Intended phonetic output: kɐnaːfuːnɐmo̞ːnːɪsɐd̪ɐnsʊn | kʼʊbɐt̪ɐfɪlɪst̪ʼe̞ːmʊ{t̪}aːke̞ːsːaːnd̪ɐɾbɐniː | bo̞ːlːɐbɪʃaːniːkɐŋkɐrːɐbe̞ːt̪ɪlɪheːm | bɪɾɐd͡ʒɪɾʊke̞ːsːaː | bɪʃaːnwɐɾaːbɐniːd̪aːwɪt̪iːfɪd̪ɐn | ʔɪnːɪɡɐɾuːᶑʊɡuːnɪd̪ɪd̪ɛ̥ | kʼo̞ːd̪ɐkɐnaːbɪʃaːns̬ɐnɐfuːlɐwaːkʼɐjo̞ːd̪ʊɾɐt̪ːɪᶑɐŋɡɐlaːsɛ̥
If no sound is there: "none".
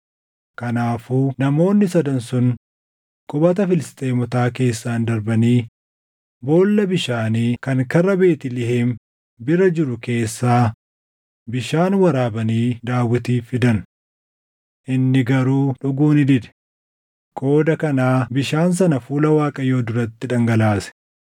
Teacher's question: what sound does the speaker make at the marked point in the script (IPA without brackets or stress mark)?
t̪